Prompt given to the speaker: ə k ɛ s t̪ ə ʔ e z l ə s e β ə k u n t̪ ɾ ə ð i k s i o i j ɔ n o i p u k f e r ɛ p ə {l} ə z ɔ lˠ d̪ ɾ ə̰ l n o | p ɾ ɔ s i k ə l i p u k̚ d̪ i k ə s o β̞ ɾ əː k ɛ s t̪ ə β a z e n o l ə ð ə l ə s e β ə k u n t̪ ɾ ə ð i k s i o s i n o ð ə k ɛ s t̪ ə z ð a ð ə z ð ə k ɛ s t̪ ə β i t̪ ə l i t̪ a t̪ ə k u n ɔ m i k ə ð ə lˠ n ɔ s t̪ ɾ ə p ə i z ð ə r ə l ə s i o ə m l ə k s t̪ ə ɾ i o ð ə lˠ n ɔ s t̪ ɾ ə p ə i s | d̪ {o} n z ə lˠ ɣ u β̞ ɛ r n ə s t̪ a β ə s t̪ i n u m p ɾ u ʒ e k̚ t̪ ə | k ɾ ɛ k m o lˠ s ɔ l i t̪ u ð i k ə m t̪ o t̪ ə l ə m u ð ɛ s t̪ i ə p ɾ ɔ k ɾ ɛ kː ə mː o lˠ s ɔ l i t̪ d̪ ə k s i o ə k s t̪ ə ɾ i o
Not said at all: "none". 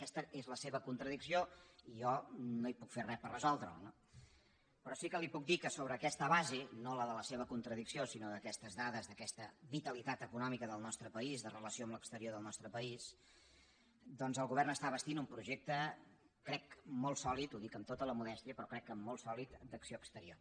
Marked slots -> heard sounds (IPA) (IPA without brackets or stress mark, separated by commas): r, ɔ